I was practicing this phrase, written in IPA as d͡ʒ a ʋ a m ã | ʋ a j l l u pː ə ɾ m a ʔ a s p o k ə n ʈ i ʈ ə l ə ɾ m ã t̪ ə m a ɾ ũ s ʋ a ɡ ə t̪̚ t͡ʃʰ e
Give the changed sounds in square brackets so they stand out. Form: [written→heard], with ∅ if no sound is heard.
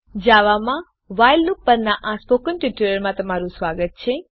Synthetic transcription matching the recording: d͡ʒ a ʋ a m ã | ʋ a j l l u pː ə ɾ [m→n] a ʔ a s p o k ə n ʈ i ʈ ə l ə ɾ m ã t̪ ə m a ɾ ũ s ʋ a ɡ ə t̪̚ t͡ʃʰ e